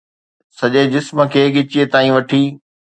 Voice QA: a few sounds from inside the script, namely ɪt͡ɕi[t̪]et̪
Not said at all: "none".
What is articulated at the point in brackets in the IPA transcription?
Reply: none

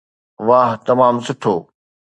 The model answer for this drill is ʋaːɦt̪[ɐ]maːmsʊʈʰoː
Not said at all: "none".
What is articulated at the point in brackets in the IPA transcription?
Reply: ɐ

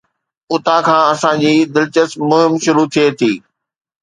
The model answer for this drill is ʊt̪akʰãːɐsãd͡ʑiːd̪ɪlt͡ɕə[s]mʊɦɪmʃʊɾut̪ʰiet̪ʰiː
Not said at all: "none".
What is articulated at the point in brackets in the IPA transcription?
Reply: s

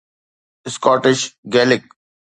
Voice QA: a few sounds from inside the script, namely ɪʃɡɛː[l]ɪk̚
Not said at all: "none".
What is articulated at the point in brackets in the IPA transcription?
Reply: l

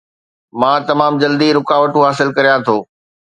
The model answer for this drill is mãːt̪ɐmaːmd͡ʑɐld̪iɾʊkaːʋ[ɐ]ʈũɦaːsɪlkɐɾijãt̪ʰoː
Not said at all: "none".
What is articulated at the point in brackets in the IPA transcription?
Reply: ə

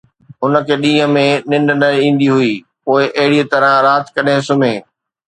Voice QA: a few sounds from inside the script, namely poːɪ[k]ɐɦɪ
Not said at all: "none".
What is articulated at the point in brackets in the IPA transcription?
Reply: ʔ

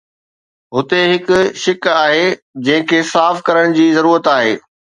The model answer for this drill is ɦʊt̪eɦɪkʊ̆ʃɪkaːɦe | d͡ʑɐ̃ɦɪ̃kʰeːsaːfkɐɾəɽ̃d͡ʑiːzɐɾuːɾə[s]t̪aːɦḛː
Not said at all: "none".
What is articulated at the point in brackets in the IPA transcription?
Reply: none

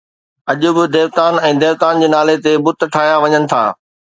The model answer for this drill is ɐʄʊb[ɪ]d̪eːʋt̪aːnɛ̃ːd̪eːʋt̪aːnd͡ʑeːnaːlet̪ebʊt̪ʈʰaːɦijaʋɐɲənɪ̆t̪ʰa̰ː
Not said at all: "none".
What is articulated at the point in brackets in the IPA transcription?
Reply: ɪ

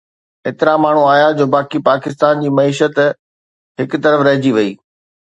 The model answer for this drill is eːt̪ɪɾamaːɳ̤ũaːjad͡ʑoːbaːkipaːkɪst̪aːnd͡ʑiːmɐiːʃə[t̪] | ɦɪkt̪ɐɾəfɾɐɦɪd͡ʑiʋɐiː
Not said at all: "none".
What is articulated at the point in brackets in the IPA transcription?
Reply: t̪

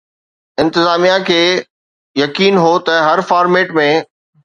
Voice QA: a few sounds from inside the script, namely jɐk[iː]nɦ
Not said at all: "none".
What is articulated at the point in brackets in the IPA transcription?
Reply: iː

